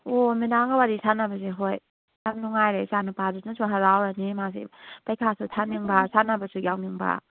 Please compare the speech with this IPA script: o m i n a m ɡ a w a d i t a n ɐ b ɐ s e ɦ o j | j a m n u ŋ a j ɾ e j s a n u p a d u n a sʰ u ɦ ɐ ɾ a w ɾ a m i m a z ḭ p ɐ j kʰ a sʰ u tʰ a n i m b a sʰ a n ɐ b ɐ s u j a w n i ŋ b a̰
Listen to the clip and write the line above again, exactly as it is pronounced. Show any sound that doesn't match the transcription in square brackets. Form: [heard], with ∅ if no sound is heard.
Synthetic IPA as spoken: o m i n a [ŋ] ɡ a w a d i [s] a n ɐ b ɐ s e ɦ o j | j a m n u ŋ a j ɾ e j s a n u p a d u n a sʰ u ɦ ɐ ɾ a w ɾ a [n] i m a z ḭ p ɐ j kʰ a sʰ u tʰ a n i [ŋ] b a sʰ a n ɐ b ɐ s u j a w n i ŋ b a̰